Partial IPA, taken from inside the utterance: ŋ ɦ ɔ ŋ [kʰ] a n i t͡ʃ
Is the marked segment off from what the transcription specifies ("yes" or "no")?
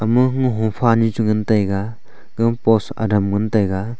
yes